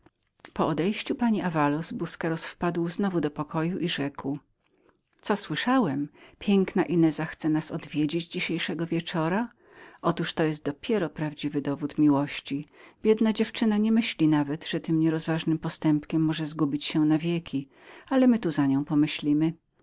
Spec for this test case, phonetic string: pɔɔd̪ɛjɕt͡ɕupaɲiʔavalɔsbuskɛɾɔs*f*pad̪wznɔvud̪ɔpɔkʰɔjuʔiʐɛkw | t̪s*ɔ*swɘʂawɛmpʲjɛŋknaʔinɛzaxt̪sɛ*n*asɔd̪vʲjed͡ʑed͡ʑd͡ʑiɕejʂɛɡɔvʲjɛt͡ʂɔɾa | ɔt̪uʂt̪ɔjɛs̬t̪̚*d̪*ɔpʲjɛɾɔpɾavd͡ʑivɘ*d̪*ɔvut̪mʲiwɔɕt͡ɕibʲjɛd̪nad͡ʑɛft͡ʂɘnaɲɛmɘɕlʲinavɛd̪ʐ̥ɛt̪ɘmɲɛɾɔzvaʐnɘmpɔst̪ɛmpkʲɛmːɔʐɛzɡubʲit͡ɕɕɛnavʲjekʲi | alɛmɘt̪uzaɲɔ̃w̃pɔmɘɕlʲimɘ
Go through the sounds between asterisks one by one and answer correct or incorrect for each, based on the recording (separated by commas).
correct, correct, correct, correct, correct